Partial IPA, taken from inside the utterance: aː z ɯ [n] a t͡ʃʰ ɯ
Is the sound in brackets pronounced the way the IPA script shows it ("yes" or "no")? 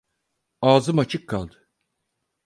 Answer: no